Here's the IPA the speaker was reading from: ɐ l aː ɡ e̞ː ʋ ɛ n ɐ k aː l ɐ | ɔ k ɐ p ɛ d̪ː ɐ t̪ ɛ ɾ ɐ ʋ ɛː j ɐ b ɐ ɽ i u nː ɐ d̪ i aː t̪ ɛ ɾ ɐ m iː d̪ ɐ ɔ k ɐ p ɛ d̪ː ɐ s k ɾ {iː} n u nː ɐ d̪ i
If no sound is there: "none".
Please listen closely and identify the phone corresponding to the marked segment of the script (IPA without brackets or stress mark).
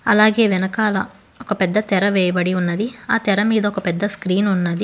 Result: iː